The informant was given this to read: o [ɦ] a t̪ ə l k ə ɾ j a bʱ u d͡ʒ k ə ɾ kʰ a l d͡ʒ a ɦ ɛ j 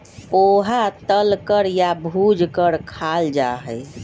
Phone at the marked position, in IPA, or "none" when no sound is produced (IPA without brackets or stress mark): ɦ